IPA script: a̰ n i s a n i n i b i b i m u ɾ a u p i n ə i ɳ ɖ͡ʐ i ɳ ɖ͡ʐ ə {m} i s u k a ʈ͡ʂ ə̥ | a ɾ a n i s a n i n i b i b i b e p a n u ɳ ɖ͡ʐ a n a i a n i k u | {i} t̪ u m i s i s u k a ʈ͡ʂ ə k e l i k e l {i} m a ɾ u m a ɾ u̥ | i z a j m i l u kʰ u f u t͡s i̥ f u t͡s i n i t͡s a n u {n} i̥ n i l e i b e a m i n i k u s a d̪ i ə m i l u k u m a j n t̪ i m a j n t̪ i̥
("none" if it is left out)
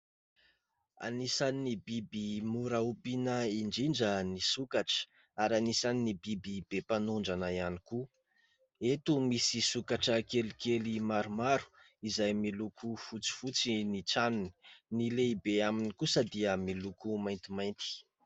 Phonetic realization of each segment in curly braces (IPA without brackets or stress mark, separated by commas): n, e, i, n